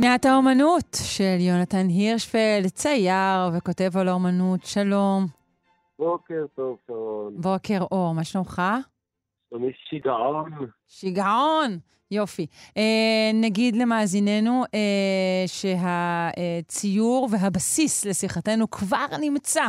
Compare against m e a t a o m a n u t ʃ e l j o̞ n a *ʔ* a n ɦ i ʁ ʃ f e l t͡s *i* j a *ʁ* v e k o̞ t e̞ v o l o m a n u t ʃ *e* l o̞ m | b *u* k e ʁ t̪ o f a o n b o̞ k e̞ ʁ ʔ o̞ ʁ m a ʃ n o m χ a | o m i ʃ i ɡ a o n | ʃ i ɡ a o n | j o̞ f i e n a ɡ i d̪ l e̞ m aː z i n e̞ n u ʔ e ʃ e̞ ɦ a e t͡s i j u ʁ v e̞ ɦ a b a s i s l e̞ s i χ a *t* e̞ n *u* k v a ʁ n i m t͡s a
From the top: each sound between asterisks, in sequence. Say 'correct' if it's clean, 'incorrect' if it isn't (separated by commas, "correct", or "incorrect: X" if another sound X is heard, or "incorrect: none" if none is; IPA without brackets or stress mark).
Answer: incorrect: t, incorrect: a, correct, incorrect: a, incorrect: o, correct, correct